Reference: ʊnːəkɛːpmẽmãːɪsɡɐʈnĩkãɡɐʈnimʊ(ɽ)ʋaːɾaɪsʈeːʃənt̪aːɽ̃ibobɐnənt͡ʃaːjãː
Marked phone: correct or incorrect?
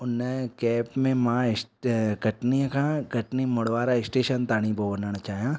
correct